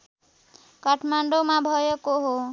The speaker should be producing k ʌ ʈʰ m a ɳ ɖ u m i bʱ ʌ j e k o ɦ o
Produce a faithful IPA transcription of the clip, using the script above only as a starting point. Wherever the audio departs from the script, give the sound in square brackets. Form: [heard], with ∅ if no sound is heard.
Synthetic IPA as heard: k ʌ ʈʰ m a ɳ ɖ [o] m [a] bʱ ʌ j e k o ɦ o